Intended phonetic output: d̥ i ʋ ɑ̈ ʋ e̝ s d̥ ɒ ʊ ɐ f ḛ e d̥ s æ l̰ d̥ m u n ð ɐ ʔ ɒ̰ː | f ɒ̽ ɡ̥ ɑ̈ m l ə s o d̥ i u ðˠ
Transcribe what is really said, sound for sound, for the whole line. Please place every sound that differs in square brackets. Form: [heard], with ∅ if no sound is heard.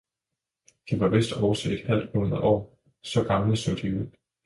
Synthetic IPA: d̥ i ʋ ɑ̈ ʋ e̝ s d̥ ɒ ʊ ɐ [s] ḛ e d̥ [h] æ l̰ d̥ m u n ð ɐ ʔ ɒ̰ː | [s] ɒ̽ ɡ̥ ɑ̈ m l ə s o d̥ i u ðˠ